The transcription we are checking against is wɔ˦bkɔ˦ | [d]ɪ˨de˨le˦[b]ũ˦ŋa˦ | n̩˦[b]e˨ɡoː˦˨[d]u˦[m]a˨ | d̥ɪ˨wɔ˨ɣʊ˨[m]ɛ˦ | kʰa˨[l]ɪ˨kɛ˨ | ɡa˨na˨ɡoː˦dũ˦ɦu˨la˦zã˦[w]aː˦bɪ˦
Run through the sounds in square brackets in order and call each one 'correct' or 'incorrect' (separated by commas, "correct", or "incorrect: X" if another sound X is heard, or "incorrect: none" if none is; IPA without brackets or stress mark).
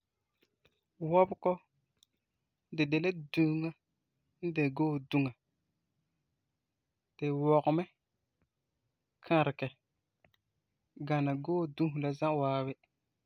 correct, incorrect: d, incorrect: d, correct, incorrect: ŋ, correct, incorrect: ɾ, correct